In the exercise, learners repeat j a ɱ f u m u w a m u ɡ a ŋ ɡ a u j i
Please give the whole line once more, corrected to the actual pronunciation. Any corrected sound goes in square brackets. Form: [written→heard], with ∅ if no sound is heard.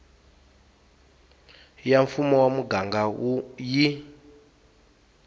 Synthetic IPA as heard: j a ɱ f u m [u→ɔ] w a m u ɡ a ŋ ɡ a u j i